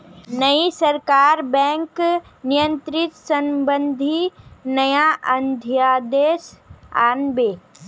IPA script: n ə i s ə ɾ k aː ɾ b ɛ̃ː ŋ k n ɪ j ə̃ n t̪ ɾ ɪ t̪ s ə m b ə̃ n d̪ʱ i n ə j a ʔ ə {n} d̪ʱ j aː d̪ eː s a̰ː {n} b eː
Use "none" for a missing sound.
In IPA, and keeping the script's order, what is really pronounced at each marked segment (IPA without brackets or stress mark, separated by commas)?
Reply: n, n